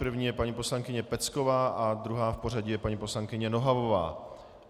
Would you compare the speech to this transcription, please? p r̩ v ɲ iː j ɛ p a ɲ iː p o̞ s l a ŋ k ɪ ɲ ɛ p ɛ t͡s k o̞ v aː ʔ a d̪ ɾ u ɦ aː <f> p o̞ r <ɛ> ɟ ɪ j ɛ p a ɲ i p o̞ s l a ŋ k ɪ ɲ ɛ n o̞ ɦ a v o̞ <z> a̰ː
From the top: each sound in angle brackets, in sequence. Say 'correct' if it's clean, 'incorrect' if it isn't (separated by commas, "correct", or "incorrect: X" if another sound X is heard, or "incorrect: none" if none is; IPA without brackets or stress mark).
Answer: correct, incorrect: a, incorrect: v